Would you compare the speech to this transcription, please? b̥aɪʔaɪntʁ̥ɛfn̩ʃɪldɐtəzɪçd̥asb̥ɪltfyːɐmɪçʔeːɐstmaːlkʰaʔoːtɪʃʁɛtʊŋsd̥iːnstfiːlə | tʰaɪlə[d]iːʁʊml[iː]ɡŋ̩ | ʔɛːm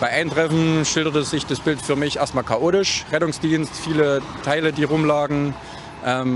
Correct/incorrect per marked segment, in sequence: correct, incorrect: aː

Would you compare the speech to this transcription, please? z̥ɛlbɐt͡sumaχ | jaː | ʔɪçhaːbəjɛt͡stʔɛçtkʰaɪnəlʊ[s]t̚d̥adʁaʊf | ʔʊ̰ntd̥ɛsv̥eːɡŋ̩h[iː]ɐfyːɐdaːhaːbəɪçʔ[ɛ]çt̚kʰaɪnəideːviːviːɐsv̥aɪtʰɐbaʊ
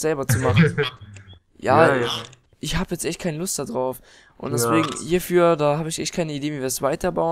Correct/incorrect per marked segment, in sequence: correct, correct, correct

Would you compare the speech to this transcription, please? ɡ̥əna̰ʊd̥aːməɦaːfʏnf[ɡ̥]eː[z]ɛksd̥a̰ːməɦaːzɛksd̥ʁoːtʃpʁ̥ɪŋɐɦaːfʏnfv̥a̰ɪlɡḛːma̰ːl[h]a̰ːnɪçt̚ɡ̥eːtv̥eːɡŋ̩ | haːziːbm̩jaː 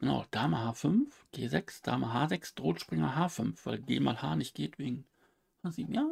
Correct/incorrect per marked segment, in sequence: correct, correct, correct

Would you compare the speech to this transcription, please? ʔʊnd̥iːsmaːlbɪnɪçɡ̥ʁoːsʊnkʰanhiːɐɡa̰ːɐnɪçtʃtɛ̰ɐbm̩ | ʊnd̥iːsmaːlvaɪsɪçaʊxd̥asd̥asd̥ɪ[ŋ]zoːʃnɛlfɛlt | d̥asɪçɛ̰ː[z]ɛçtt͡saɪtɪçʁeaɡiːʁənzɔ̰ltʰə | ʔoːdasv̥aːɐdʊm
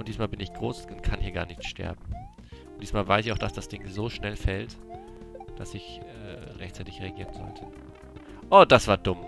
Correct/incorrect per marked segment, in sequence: correct, incorrect: ʁ

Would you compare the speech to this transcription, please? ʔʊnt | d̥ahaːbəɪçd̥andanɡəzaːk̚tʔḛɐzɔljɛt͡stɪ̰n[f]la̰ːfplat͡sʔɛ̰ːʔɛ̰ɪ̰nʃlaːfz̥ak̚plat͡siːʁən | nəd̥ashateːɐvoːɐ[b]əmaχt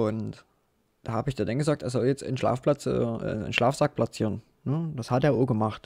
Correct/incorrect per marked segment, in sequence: incorrect: ʃ, incorrect: ɡ

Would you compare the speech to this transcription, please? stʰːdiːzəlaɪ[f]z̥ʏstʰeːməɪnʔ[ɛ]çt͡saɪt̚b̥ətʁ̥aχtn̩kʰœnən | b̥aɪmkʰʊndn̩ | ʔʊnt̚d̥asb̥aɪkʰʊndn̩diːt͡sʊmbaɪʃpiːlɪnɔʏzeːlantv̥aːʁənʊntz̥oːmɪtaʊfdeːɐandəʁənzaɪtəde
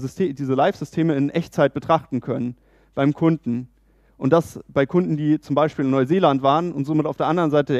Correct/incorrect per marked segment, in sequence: correct, correct

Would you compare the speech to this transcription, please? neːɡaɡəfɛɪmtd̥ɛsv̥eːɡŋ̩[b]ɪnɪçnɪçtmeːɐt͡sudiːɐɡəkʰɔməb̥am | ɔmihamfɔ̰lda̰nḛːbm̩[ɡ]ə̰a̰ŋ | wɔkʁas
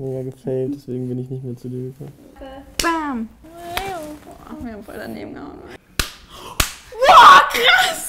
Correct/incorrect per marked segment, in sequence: correct, correct

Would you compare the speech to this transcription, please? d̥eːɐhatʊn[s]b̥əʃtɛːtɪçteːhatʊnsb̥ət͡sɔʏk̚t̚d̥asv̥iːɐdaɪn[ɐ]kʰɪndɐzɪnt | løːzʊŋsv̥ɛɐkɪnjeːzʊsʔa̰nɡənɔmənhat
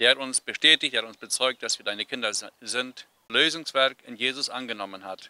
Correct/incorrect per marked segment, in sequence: correct, incorrect: ə

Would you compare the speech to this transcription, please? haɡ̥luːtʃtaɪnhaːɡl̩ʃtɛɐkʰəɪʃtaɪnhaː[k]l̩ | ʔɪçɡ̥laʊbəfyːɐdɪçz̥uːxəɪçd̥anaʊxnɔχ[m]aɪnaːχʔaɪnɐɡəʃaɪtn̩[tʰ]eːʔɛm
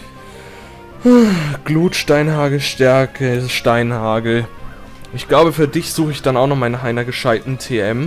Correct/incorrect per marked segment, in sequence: incorrect: ɡ, correct, correct

